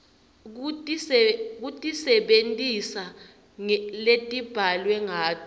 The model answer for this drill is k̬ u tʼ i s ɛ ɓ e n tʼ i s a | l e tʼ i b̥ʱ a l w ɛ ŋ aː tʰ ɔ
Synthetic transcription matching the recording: k̬ u tʼ i s ɛ ɓ e n tʼ i s a | l e tʼ i b̥ʱ a l w ɛ ŋ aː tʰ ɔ